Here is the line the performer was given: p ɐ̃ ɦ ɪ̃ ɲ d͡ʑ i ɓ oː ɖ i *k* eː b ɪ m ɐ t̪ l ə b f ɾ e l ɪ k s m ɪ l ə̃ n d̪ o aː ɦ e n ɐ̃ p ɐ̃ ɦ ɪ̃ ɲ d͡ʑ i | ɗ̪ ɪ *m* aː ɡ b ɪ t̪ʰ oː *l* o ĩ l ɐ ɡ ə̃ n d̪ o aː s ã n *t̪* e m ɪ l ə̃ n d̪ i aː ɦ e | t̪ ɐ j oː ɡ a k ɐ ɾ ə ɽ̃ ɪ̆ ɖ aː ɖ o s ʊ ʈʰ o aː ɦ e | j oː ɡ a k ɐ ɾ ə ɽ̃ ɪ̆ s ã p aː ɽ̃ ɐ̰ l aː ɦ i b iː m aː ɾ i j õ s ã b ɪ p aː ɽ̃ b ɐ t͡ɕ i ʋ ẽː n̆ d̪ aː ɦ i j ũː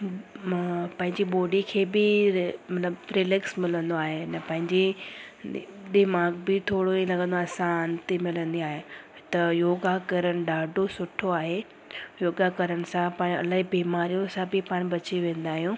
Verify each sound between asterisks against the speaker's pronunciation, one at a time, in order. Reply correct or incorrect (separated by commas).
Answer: incorrect, correct, incorrect, correct